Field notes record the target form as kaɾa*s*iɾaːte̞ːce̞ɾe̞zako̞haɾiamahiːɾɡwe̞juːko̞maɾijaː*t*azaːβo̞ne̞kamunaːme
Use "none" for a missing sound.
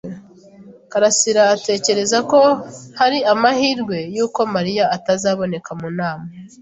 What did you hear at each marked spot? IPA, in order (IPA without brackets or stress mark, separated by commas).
s, t